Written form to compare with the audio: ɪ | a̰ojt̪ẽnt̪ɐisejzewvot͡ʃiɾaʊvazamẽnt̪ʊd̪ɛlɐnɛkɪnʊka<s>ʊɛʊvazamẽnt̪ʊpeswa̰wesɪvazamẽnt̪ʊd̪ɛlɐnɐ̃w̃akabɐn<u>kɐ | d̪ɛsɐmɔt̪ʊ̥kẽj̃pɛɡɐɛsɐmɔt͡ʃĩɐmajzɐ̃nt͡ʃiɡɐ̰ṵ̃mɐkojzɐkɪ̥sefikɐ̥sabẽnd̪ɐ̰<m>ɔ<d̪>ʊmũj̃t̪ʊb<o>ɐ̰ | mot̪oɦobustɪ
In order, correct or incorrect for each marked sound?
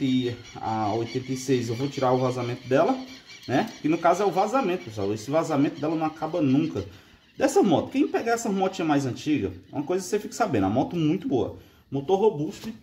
incorrect: z, incorrect: ũ, correct, incorrect: t̪, correct

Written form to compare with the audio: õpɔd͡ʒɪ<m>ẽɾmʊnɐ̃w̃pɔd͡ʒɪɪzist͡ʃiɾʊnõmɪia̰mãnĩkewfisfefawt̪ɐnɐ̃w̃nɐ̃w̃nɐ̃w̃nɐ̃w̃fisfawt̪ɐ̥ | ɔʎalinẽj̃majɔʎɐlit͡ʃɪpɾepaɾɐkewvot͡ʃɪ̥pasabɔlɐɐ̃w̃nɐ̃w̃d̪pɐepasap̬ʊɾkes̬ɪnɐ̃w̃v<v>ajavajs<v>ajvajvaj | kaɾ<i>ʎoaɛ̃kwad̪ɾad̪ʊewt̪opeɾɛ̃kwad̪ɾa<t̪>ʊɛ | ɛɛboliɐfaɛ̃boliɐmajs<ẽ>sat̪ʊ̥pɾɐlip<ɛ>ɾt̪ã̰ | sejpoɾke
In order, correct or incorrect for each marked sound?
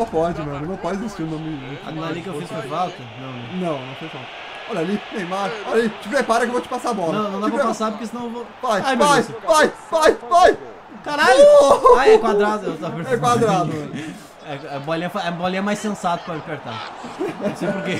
correct, correct, correct, incorrect: a, incorrect: d̪, correct, incorrect: e

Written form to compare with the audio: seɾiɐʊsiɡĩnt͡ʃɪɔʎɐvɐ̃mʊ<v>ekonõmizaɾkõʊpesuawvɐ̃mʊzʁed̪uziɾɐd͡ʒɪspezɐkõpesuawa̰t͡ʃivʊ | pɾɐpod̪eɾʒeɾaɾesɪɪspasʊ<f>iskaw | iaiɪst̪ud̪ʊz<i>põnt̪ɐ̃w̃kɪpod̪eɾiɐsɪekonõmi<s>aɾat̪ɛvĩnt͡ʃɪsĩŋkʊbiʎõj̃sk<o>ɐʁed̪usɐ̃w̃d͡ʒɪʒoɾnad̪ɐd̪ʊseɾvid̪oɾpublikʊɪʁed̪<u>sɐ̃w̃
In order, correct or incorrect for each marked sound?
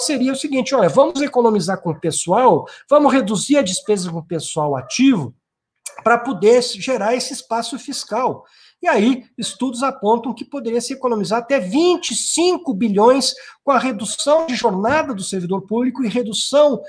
incorrect: z, correct, incorrect: a, incorrect: z, incorrect: õ, correct

